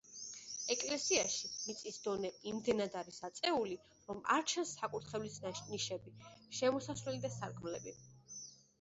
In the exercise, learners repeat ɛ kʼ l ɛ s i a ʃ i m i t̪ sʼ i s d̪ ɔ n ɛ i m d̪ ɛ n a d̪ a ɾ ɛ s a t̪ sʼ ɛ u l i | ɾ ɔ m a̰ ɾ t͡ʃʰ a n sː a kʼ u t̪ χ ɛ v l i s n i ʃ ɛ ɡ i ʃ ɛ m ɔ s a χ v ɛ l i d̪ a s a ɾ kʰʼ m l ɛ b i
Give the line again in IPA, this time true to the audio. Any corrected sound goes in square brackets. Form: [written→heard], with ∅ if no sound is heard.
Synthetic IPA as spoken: ɛ kʼ l ɛ s i a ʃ i m i t̪ sʼ i s d̪ ɔ n ɛ i m d̪ ɛ n a d̪ a ɾ [ɛ→i] s a t̪ sʼ ɛ u l i | ɾ ɔ m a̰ ɾ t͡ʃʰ a n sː a kʼ u t̪ χ ɛ v l i s n i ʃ ɛ [ɡ→b] i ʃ ɛ m ɔ s a [χ→s] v ɛ l i d̪ a s a ɾ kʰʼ m l ɛ b i